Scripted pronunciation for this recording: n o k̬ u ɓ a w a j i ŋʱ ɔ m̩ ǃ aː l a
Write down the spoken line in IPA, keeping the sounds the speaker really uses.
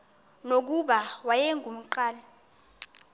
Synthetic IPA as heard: n o k̬ u ɓ a w a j ɛ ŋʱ u m̩ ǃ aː l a